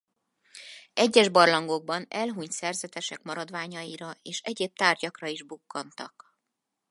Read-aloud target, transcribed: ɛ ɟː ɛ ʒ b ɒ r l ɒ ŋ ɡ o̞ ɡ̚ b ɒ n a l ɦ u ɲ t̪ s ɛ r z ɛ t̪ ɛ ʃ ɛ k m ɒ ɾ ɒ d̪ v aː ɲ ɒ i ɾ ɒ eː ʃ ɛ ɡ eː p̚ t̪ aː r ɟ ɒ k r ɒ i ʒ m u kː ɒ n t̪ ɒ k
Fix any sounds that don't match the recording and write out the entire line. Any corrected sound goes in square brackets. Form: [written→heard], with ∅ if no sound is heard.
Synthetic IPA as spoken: ɛ ɟː ɛ ʒ b ɒ r l ɒ ŋ ɡ o̞ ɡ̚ b ɒ n [a→ɛ] l ɦ u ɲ t̪ s ɛ r z ɛ t̪ ɛ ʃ ɛ k m ɒ ɾ ɒ d̪ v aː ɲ ɒ i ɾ ɒ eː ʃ ɛ [ɡ→ɟ] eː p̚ t̪ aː r ɟ ɒ k r ɒ i ʒ [m→b] u kː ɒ n t̪ ɒ k